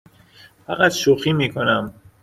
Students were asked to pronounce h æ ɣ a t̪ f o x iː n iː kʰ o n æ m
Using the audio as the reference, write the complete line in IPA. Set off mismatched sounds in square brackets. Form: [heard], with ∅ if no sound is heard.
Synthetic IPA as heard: [f] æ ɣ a t̪ [ʃ] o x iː [m] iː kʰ o n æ m